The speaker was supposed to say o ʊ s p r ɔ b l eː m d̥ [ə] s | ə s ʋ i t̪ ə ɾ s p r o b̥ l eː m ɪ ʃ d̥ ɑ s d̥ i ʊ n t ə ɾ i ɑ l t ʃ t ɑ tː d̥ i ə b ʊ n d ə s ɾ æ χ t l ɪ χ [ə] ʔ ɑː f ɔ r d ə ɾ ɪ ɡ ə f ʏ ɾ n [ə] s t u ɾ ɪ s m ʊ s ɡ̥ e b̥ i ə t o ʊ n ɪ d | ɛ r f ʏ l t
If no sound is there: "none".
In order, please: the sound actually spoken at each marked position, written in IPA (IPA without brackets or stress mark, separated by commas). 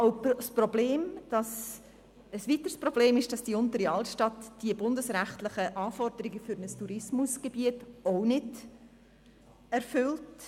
ɑ, ə, ə